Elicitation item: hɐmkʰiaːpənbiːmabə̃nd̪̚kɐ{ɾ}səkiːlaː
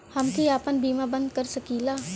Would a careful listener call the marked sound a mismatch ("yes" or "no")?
no